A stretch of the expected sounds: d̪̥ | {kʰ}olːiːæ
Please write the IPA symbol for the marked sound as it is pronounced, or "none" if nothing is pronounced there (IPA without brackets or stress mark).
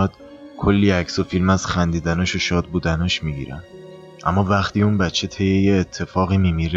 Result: kʰ